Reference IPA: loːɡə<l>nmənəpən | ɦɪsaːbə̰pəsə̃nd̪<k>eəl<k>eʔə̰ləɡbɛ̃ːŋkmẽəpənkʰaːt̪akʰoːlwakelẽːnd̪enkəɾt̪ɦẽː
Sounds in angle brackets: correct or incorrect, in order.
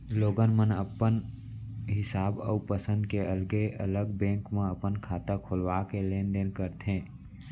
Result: incorrect: none, correct, incorrect: ɡ

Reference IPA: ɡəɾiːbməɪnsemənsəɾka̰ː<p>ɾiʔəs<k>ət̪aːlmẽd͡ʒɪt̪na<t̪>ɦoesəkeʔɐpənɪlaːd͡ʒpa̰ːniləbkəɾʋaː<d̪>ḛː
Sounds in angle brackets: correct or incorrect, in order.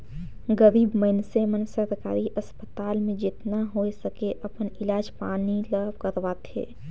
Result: incorrect: none, incorrect: p, incorrect: none, incorrect: t̪

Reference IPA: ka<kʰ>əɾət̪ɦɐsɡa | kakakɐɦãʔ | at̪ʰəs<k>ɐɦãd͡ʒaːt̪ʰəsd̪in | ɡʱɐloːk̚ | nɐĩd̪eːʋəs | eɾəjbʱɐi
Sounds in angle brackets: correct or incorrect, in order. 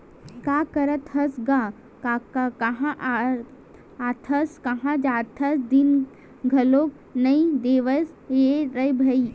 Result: incorrect: k, correct

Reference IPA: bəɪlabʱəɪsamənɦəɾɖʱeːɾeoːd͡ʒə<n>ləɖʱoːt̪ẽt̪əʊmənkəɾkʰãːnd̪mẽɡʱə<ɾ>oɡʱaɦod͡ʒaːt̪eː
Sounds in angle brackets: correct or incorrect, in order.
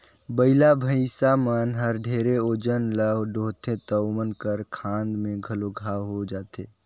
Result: correct, incorrect: l

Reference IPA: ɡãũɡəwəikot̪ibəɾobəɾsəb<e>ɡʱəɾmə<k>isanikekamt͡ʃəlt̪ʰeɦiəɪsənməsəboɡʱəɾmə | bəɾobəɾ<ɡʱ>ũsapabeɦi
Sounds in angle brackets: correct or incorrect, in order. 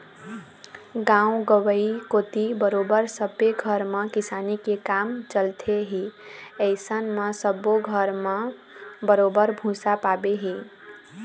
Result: correct, correct, incorrect: bʱ

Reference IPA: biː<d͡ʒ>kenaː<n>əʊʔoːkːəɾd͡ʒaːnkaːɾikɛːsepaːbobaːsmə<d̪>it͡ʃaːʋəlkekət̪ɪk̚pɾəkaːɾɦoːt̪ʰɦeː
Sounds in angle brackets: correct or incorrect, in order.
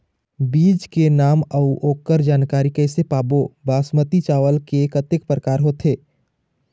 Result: correct, incorrect: m, incorrect: t̪

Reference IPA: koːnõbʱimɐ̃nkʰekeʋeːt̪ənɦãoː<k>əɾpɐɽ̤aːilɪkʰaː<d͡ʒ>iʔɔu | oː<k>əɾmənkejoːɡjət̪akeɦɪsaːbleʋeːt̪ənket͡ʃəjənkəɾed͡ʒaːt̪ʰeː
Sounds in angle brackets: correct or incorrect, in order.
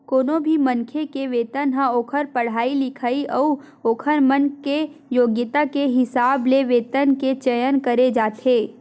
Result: incorrect: kʰ, incorrect: none, incorrect: kʰ

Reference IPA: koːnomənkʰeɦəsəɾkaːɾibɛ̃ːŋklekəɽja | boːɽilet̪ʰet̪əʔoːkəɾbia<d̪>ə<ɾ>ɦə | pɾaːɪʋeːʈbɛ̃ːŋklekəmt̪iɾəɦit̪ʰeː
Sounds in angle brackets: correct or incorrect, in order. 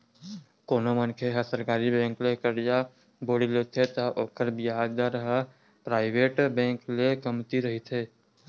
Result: correct, correct

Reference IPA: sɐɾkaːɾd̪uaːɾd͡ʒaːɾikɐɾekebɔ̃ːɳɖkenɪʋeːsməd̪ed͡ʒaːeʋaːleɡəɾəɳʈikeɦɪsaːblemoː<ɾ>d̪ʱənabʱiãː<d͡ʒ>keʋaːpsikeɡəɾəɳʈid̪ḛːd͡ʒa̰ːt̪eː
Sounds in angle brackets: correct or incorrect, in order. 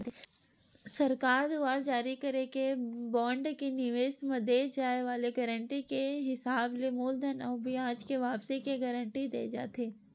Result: incorrect: l, correct

